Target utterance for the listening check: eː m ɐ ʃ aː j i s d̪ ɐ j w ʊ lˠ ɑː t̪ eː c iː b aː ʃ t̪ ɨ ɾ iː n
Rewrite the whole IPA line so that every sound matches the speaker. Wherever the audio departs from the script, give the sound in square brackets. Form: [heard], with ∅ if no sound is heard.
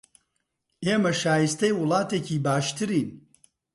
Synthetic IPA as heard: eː m ɐ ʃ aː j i s [t̪] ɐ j w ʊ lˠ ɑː t̪ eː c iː b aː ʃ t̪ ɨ ɾ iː n